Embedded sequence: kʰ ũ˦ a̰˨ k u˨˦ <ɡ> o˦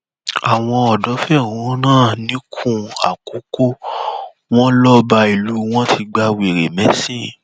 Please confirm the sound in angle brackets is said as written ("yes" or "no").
no